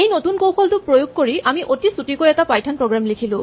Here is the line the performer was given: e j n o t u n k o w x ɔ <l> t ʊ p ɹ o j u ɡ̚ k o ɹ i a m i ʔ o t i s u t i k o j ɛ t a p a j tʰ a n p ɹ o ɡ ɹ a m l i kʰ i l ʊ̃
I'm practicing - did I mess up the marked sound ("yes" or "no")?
no